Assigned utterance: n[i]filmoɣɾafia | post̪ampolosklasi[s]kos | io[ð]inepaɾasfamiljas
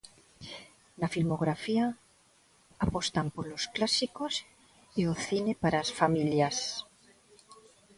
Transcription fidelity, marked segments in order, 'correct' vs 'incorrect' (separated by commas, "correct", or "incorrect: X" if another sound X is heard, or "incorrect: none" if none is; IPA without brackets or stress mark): incorrect: a, incorrect: none, incorrect: θ